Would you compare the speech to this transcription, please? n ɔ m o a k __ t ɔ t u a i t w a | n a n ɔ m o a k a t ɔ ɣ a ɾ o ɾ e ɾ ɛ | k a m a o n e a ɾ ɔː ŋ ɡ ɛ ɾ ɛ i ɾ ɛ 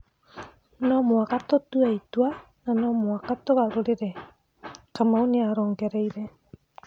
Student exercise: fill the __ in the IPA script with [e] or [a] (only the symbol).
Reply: a